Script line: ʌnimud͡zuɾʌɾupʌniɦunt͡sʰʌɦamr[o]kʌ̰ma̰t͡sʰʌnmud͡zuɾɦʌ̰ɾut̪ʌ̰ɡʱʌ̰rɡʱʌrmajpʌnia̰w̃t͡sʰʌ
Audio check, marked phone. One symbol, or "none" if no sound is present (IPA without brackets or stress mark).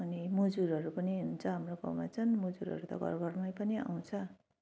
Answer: o